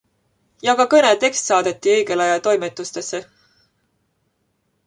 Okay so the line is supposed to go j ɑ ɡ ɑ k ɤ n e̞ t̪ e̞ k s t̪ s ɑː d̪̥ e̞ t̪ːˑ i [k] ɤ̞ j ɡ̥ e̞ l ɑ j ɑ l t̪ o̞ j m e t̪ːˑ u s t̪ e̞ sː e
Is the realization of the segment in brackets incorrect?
yes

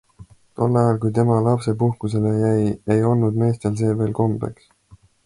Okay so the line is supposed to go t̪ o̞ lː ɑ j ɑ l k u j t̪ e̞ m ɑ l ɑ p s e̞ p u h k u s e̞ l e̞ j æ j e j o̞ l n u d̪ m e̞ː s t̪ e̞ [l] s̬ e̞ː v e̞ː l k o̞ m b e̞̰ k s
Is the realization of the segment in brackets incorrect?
no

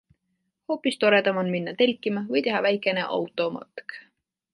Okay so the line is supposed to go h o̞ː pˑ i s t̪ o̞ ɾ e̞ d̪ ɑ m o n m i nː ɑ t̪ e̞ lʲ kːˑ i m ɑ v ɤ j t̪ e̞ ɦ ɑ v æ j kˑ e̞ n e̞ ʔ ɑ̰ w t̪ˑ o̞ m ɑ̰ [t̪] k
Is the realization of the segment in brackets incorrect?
no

